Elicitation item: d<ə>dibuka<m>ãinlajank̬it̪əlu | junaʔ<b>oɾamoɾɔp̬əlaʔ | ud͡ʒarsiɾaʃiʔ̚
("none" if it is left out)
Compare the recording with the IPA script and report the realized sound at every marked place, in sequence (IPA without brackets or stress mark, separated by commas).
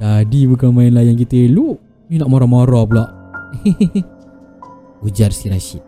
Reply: a, m, m